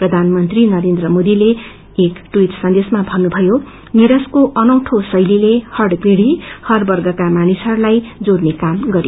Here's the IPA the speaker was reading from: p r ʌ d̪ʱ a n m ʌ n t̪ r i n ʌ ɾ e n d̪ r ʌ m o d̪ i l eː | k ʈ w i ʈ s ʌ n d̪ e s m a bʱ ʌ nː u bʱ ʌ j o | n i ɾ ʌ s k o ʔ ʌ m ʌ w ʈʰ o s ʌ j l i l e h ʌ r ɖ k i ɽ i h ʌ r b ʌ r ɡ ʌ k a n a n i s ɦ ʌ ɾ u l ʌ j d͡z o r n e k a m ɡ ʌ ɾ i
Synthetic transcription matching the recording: p r ʌ d̪ʱ a n m ʌ n t̪ r i n ʌ ɾ e n d̪ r ʌ m o d̪ i l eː | k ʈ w i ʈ s ʌ n d̪ e s m a bʱ ʌ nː u bʱ ʌ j o | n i ɾ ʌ s k o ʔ ʌ n ʌ w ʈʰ o s ʌ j l i l e h ʌ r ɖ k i ɽ i h ʌ r b ʌ r ɡ ʌ k a m a n i s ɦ ʌ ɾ u l a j d͡z o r n e k a m ɡ ʌ ɾ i